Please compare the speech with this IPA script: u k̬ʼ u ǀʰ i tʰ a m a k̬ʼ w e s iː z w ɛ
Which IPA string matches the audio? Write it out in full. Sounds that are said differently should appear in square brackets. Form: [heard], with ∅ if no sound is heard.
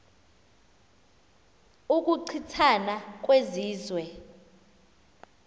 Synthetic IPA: u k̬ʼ u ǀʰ i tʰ a [n] a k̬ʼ w e [z] iː z w ɛ